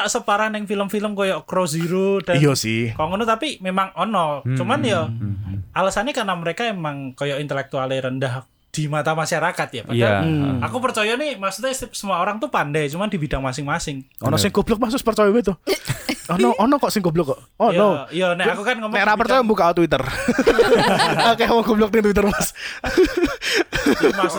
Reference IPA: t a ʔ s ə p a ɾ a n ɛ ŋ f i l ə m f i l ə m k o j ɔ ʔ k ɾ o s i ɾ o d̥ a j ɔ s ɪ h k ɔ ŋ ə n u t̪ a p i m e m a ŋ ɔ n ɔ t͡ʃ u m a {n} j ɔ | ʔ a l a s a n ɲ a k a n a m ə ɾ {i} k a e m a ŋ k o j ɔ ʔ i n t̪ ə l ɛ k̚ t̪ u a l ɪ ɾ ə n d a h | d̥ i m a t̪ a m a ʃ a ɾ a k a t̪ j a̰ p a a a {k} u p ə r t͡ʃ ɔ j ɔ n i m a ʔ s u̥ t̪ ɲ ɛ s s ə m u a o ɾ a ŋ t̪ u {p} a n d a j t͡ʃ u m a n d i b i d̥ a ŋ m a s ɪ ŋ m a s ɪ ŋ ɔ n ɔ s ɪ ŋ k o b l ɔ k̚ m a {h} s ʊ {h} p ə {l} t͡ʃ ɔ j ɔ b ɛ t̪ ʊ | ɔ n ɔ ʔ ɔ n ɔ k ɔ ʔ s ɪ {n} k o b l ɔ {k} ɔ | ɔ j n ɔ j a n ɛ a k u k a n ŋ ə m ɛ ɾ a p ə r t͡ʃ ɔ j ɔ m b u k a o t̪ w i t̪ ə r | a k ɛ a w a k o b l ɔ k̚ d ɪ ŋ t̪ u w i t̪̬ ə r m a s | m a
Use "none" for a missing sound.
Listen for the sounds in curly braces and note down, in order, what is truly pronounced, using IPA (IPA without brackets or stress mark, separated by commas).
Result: n, e, k, p, h, s, r, ŋ, k